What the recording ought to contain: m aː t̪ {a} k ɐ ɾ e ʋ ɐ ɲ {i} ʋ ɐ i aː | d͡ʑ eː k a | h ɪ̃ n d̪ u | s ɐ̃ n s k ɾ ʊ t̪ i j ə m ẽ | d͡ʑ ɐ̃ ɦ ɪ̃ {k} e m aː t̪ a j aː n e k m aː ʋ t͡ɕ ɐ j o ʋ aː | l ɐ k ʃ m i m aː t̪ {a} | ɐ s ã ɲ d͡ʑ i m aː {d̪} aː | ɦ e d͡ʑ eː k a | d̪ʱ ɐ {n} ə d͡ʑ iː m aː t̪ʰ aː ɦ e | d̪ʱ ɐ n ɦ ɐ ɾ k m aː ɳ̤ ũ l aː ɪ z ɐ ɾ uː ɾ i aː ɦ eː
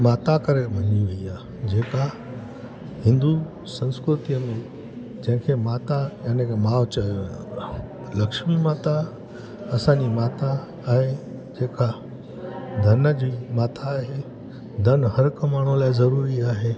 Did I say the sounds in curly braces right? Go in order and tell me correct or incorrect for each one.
correct, correct, incorrect, correct, incorrect, correct

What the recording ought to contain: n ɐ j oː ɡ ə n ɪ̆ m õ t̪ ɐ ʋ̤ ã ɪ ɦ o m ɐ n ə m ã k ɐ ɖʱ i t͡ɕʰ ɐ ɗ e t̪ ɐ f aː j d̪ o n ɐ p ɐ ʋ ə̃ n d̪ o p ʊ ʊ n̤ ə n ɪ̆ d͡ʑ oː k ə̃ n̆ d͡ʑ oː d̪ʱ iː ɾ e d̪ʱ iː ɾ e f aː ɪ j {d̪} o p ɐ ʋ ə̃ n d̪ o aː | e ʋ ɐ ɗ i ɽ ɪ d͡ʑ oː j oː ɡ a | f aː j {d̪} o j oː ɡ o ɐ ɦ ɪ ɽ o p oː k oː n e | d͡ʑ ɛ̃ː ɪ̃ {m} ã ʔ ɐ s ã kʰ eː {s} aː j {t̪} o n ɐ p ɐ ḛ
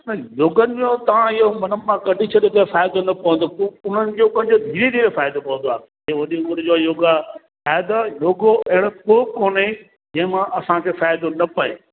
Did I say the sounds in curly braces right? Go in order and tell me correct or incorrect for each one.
correct, correct, correct, incorrect, incorrect

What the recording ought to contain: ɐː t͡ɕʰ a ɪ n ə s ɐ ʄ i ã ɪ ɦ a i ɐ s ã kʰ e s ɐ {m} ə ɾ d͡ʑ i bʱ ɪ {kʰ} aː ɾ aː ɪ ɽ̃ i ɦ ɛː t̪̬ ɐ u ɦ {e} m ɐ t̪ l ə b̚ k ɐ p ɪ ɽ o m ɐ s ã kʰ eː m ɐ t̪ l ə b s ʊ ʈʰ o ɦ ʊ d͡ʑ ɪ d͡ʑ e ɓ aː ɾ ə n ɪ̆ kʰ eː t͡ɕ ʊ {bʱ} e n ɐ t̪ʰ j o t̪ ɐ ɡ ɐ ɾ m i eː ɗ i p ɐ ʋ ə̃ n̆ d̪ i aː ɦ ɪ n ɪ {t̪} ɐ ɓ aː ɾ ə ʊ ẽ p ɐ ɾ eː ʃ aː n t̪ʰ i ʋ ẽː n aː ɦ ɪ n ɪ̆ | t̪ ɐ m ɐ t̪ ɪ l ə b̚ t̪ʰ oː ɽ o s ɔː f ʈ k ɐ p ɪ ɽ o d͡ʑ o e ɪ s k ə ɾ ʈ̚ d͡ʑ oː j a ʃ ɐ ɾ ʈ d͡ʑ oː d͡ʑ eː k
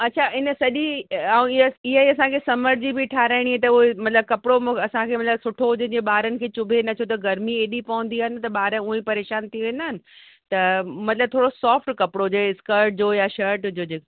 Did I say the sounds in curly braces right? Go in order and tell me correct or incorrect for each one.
correct, incorrect, correct, correct, correct

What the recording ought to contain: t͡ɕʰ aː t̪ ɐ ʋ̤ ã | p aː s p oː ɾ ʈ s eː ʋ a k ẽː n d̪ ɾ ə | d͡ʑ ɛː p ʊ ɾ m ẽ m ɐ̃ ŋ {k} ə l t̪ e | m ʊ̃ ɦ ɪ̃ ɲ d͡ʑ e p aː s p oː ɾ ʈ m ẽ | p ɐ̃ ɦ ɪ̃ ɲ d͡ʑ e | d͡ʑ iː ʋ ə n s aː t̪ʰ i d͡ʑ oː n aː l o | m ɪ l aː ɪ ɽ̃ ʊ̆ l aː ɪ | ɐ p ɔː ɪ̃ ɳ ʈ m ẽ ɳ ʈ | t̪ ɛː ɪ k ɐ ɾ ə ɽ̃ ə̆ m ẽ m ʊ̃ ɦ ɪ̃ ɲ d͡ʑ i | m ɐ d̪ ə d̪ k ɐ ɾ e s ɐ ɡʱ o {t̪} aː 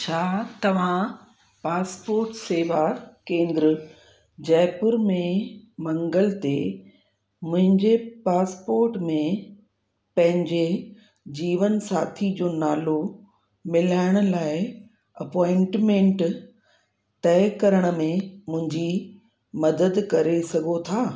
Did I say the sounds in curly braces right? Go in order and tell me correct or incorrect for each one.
incorrect, incorrect

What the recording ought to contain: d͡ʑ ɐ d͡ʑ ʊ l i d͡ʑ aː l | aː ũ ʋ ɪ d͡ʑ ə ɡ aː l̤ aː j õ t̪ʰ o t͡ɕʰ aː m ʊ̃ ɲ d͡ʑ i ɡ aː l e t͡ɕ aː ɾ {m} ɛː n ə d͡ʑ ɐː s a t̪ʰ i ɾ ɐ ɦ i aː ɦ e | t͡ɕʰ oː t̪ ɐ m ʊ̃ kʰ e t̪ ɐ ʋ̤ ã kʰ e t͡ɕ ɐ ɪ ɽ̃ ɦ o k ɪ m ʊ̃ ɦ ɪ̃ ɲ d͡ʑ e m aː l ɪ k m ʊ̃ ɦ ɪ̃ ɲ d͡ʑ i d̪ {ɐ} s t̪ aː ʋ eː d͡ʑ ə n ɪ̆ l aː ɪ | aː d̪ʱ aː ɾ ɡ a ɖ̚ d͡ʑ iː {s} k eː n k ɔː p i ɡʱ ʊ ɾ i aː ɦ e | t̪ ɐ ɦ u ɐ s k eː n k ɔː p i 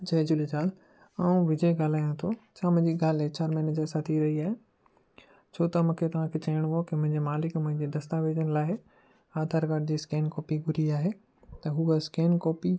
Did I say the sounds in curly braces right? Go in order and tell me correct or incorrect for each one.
correct, correct, correct

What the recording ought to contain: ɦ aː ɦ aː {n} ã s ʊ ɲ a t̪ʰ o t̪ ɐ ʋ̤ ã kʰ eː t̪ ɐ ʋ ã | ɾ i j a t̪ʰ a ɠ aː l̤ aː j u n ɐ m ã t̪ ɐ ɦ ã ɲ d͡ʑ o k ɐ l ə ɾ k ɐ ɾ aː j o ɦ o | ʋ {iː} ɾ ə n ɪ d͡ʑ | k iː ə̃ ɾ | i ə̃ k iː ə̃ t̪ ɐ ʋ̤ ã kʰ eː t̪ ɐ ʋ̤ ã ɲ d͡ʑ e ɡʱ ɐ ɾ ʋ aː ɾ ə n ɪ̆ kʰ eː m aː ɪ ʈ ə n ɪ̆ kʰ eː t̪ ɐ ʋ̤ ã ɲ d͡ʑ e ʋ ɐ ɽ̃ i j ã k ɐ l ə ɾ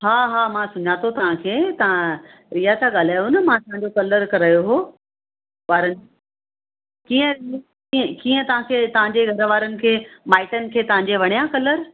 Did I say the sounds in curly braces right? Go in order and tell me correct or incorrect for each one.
incorrect, incorrect

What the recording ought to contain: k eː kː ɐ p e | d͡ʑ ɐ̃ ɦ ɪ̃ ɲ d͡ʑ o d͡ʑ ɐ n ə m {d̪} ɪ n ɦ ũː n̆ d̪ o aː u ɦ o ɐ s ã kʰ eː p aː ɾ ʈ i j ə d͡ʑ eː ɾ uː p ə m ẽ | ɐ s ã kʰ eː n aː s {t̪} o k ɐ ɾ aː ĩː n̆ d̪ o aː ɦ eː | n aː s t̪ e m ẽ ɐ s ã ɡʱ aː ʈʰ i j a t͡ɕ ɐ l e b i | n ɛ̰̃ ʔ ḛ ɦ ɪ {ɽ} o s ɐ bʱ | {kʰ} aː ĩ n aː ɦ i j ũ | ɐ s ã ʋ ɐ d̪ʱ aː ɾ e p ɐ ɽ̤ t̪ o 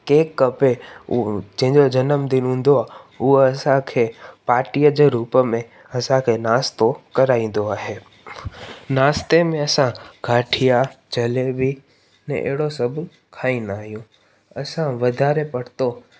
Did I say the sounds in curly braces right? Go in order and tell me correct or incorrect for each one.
correct, correct, correct, correct

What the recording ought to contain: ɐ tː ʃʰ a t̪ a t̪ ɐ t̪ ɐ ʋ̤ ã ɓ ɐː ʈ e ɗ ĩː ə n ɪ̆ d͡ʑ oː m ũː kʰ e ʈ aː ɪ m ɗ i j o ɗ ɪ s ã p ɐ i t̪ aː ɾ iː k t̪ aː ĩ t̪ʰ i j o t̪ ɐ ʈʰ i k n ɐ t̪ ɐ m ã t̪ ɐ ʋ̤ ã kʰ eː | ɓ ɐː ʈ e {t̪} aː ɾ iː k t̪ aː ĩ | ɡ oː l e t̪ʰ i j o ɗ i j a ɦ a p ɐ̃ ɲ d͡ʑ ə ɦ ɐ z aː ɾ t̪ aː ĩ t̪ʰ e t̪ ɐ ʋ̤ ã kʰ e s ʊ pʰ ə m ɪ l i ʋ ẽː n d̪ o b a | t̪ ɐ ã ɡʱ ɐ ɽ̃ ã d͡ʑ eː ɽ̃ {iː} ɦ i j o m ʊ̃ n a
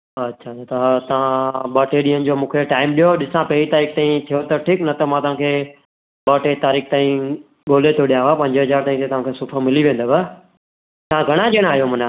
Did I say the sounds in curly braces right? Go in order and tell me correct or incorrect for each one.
correct, incorrect

